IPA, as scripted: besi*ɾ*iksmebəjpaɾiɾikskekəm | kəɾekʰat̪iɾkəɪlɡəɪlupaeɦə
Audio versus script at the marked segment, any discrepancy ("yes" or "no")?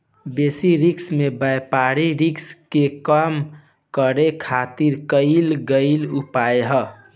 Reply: no